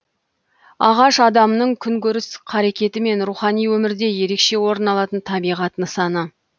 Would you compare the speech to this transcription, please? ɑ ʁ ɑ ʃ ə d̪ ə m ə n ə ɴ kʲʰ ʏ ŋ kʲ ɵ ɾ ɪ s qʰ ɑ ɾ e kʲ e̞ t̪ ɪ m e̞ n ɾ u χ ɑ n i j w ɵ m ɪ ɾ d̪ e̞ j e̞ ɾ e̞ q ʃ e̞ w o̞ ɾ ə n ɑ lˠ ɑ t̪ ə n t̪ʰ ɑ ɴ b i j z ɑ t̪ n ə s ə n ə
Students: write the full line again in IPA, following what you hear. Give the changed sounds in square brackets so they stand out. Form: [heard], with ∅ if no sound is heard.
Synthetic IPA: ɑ ʁ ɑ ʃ [ɑ] d̪ [ɑ] m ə n ə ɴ kʲʰ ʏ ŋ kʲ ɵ ɾ ɪ s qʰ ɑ ɾ e kʲ e̞ t̪ ɪ m e̞ n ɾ u χ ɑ n i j w ɵ m ɪ ɾ d̪ e̞ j e̞ ɾ e̞ [k] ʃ e̞ w o̞ ɾ ə n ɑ lˠ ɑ t̪ ə n t̪ʰ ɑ [∅] b i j [ʁ] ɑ t̪ n ə s [ɑ] n ə